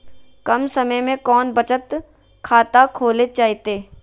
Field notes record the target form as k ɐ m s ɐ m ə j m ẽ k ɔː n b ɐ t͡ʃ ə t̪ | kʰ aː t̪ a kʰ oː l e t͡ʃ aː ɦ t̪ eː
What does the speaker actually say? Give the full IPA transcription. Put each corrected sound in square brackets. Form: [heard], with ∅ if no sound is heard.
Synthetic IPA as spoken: k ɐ m s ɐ m ə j m ẽ k ɔː n b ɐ t͡ʃ ə t̪ | kʰ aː t̪ a kʰ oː l e t͡ʃ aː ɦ t̪ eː

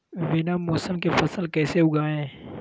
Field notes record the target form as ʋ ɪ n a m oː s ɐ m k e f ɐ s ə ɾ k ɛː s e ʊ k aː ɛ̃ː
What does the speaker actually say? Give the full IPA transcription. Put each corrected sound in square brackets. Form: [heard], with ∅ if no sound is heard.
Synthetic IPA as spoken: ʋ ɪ n a m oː s [ə] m k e f ɐ s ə [l] k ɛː s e ʊ [ɡ] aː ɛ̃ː

